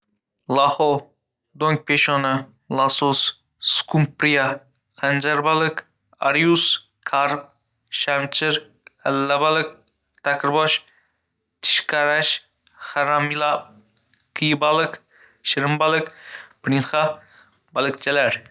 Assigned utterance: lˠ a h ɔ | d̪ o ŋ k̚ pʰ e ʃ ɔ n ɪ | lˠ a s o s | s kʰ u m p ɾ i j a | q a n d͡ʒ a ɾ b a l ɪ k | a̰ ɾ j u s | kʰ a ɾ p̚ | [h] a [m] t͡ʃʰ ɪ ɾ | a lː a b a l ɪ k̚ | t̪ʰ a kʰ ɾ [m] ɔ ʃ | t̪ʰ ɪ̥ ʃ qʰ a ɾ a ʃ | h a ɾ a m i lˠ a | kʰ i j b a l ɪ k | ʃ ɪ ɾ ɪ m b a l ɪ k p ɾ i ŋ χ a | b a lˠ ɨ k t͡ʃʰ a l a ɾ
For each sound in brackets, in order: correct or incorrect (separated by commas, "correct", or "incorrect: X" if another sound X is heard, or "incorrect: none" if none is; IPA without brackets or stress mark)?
incorrect: ʃ, correct, incorrect: b